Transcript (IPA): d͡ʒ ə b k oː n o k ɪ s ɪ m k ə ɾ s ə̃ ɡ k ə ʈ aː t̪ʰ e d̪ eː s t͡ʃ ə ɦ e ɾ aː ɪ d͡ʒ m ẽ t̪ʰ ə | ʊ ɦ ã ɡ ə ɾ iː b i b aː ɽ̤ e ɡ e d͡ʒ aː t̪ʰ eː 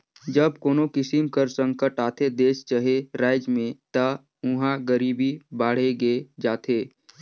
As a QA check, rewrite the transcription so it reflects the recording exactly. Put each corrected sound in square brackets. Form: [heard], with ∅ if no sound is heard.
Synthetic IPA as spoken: d͡ʒ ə b k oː n o k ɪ s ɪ m k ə ɾ s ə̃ [ŋ] k ə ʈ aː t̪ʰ e d̪ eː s t͡ʃ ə ɦ e ɾ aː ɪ d͡ʒ m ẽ [t̪] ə | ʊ ɦ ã ɡ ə ɾ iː b i b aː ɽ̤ e ɡ e d͡ʒ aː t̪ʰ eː

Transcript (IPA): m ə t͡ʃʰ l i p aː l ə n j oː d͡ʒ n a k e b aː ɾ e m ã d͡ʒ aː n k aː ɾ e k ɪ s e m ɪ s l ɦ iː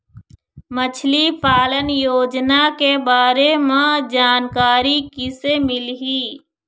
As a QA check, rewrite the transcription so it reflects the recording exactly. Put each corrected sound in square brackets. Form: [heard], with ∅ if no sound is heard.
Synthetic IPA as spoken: m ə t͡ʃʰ l i p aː l ə n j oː d͡ʒ n a k e b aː ɾ e m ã d͡ʒ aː n k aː ɾ [i] k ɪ s e m ɪ [∅] l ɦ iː

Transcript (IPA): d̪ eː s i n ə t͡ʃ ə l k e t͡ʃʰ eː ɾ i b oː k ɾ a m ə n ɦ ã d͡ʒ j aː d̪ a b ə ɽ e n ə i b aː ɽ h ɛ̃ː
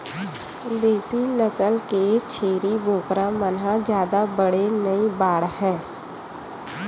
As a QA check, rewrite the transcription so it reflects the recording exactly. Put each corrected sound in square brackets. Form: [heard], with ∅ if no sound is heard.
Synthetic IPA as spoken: d̪ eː s i n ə t͡ʃ ə l k e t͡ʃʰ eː ɾ i b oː k ɾ a m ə n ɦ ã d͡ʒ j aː d̪ a b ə ɽ e n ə i b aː ɽ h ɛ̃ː

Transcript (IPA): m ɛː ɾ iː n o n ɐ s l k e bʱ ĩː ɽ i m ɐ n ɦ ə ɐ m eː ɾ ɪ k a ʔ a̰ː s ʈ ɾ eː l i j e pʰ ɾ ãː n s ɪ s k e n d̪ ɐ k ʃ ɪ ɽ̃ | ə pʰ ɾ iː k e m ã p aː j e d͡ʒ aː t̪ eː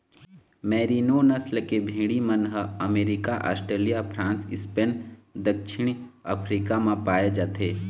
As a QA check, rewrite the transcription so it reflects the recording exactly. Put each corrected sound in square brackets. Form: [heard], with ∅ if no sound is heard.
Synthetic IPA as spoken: m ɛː ɾ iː n o n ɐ s l k e bʱ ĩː ɽ i m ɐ n ɦ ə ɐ m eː ɾ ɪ k a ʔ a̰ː s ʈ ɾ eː l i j [a] pʰ ɾ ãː n s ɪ s [p] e n d̪ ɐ k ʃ ɪ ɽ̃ | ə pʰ ɾ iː k [a] m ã p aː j e d͡ʒ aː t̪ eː

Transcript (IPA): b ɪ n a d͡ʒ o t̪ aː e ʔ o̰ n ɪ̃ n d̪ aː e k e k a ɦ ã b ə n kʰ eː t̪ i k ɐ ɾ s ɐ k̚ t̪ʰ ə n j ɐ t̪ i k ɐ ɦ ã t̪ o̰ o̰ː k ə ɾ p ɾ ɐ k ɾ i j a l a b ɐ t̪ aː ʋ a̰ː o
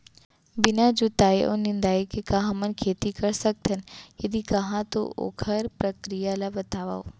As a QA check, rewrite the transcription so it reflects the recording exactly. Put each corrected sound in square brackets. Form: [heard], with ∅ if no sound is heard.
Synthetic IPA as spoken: b ɪ n a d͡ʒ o t̪ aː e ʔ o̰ n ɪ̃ n d̪ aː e k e k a ɦ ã [m] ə n kʰ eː t̪ i k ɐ ɾ s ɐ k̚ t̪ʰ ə n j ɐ [d̪] i k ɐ ɦ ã t̪ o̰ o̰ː [kʰ] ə ɾ p ɾ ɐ k ɾ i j a l a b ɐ t̪ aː ʋ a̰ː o

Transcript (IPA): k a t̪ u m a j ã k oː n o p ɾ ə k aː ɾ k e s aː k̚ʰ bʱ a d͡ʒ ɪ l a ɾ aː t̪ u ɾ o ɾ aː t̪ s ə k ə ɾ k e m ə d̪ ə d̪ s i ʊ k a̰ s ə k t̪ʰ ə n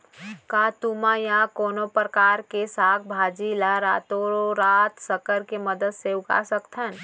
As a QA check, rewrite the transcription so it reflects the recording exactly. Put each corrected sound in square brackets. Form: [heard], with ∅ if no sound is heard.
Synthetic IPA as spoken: k a t̪ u m a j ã k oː n o p ɾ ə k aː ɾ k e s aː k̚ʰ bʱ a d͡ʒ [i] l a ɾ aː t̪ [o] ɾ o ɾ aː t̪ s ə k ə ɾ k e m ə d̪ ə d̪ s [e] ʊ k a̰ s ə k t̪ʰ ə n

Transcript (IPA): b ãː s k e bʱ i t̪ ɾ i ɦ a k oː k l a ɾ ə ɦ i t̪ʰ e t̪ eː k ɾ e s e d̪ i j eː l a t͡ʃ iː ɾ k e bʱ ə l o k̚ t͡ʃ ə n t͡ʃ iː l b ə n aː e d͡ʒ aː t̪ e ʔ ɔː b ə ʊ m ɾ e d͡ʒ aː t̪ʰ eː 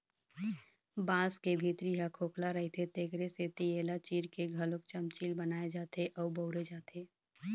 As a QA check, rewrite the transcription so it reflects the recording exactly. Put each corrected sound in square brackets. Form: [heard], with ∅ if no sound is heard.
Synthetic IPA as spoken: b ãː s k e bʱ i t̪ ɾ i ɦ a [kʰ] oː k l a ɾ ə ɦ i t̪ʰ e t̪ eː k ɾ e s e [t̪] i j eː l a t͡ʃ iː ɾ k e [ɡʱ] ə l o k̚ t͡ʃ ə [m] t͡ʃ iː l b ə n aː e d͡ʒ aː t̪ e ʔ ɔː b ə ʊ [∅] ɾ e d͡ʒ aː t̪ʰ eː

